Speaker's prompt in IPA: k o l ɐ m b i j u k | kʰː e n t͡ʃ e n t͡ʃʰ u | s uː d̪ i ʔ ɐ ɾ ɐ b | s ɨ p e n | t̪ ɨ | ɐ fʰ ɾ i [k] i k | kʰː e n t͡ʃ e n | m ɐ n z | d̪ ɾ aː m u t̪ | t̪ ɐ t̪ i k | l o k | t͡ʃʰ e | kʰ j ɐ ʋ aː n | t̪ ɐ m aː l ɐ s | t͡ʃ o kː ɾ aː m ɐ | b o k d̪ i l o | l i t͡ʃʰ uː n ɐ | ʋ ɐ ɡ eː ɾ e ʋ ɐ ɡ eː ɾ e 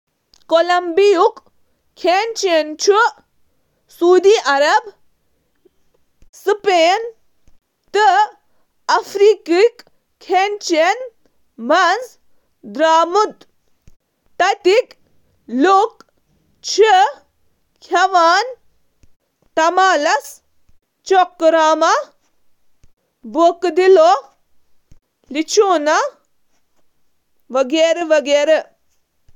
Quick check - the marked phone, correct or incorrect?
correct